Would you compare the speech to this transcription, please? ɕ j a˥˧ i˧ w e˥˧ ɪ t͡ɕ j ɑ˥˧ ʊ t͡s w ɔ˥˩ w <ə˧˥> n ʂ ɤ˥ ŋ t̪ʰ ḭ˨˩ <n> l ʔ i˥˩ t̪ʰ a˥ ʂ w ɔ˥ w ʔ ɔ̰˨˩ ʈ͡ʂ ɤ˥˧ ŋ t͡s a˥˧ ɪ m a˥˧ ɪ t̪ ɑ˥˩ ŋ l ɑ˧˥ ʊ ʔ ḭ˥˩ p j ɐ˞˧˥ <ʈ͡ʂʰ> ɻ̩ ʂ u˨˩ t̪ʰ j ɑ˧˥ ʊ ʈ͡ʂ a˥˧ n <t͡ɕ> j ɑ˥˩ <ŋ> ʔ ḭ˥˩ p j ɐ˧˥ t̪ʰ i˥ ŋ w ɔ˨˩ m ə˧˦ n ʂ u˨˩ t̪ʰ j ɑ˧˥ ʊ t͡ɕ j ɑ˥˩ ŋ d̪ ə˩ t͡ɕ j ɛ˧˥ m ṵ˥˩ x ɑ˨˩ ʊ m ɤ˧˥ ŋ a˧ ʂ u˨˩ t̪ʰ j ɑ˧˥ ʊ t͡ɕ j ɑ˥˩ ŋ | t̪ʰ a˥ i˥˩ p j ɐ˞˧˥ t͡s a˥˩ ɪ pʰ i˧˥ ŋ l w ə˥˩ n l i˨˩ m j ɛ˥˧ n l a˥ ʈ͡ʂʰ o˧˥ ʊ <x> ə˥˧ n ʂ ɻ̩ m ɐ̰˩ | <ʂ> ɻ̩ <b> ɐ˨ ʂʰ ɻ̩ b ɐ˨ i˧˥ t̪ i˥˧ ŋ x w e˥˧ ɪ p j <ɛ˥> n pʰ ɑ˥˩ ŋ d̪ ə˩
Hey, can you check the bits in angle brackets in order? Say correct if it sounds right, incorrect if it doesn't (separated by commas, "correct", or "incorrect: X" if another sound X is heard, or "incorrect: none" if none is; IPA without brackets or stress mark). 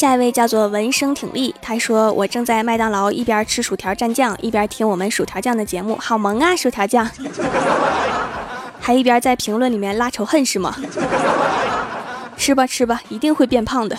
correct, incorrect: ŋ, correct, correct, correct, correct, correct, correct, incorrect: ɛ˥˧